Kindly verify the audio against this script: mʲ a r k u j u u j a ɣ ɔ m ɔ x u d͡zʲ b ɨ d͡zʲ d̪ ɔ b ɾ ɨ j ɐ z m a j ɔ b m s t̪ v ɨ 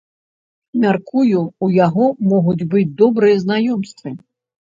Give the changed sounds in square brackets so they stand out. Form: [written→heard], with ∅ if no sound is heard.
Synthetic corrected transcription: mʲ a r k u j u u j a ɣ ɔ m ɔ [x→ɣ] u d͡zʲ b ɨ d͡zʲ d̪ ɔ b ɾ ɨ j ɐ z [m→n] a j ɔ [b→∅] m s t̪ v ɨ